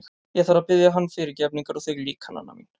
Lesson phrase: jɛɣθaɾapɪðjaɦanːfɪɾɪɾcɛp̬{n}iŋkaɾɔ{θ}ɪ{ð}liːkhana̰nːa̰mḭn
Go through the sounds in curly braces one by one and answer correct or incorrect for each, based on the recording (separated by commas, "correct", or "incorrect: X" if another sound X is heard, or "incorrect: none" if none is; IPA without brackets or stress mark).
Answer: correct, correct, incorrect: ɣ